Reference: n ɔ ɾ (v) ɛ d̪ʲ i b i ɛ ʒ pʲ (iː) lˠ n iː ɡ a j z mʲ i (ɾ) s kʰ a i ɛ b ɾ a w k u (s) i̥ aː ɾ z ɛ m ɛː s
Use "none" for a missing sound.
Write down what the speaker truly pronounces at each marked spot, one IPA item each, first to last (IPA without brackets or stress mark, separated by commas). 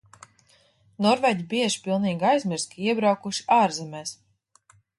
v, i, ɾ, ʃ